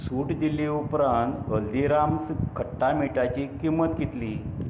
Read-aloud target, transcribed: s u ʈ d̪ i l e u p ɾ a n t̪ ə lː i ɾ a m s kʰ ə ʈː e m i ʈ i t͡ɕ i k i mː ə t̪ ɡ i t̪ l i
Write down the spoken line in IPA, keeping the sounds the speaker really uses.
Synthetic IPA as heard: s u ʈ d̪ i l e u p ɾ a n t̪ ə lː i ɾ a m s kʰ ə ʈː a m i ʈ a t͡ɕ i k i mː ə t̪ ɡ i t̪ l i

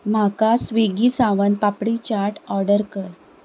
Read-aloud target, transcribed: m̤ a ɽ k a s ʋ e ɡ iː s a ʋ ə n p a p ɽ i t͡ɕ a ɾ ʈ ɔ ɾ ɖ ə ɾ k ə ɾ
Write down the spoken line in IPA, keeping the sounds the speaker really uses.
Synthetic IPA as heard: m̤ a k a s ʋ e ɡ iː s a ʋ ə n p a p ɽ i t͡ɕ a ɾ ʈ ɔ ɾ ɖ ə ɾ k ə ɾ

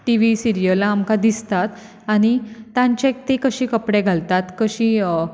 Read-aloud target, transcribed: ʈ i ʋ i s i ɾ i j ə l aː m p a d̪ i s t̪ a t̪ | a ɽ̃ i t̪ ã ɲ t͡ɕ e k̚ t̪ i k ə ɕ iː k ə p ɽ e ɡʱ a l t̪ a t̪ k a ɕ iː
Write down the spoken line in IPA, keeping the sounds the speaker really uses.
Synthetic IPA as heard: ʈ i ʋ i s i ɾ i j ə l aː m k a d̪ i s t̪ a t̪ | a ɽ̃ i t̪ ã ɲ t͡ɕ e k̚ t̪ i k ə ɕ iː k ə p ɽ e ɡʱ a l t̪ a t̪ k ə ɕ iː

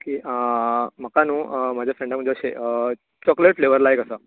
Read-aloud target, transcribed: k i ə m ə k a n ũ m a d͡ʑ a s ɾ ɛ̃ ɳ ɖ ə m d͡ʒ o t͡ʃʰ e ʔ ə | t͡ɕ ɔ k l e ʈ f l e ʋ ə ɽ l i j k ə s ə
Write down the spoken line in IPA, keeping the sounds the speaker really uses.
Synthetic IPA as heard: k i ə m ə k a n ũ m a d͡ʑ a f ɾ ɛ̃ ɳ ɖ ə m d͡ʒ o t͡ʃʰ e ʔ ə | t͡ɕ ɔ k l e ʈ f l e ʋ ə ɾ l a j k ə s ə

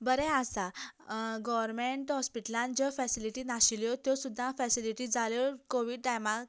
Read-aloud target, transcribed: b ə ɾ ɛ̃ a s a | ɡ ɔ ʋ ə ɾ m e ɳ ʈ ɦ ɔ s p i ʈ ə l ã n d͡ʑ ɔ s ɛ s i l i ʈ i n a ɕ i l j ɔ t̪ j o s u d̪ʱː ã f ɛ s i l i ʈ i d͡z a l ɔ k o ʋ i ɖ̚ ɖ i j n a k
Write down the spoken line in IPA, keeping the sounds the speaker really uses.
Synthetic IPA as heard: b ə ɾ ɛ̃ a s a | ɡ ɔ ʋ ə ɾ m e ɳ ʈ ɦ ɔ s p i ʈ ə l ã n d͡ʑ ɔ f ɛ s i l i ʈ i n a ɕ i l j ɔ t̪ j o s u d̪ʱː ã f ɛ s i l i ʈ i d͡z a l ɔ k o ʋ i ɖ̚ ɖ a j m a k

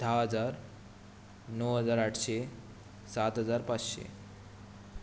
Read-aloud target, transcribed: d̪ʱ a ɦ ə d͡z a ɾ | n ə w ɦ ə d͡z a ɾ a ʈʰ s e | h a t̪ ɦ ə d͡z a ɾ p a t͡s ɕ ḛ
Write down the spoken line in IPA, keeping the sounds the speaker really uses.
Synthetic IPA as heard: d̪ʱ a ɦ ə d͡z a ɾ | n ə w ɦ ə d͡z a ɾ a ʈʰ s e | s a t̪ ɦ ə d͡z a ɾ p a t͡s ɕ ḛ

